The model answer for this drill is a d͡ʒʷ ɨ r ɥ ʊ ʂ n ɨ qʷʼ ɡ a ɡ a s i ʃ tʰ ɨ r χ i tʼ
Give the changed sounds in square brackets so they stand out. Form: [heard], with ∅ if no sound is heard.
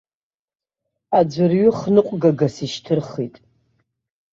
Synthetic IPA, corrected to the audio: a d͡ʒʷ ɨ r ɥ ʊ [χ] n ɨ qʷʼ ɡ a ɡ a s i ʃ tʰ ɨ r χ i tʼ

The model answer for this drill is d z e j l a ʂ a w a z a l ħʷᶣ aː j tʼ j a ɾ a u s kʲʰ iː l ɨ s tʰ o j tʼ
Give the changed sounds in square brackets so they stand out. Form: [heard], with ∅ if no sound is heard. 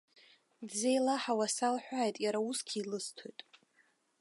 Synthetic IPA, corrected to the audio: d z e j l a [ħ] a w a [s] a l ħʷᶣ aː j tʼ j a ɾ a u s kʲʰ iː l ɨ s tʰ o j tʼ

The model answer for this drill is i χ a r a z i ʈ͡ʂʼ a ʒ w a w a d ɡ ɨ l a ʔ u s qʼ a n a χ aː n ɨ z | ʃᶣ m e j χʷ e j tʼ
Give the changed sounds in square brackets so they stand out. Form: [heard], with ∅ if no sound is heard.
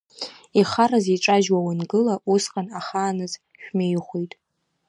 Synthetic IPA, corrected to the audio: i χ a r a z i ʈ͡ʂʼ a ʒ w a w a [n] ɡ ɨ l a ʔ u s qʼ a n a χ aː n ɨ z | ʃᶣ m e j χʷ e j tʼ

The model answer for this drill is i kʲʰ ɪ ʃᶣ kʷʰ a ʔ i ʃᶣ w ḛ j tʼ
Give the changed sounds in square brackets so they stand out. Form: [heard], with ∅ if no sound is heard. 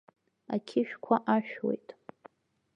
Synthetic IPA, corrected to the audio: [a] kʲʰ ɪ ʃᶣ kʷʰ a ʔ [a] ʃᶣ w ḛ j tʼ

